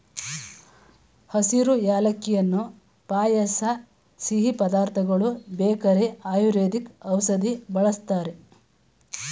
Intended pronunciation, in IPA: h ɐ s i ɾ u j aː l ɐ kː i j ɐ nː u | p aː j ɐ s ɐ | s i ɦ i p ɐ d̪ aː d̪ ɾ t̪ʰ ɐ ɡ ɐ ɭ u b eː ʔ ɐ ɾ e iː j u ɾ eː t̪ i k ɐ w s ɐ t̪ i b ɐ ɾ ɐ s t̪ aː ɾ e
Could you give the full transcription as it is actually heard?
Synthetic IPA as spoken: h ɐ s i ɾ u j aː l ɐ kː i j ɐ nː u | p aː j ɐ s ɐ | s i ɦ i p ɐ d̪ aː ɾ t̪ʰ ɐ ɡ ɐ ɭ u b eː k ɐ ɾ e aː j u ɾ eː d̪ i k ɐ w s ɐ d̪ i b ɐ ɭ ɐ s t̪ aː ɾ e